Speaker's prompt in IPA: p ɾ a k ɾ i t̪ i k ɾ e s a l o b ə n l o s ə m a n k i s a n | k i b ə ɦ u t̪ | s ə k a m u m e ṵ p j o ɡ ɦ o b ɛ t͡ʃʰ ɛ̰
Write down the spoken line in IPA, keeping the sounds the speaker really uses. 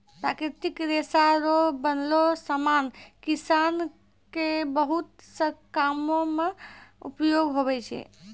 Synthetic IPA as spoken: p ɾ a k ɾ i t̪ i k ɾ e s a ɾ o b ə n l o s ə m a n k i s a n | k e b ə ɦ u t̪ | s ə k a m o m e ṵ p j o ɡ ɦ o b ɛ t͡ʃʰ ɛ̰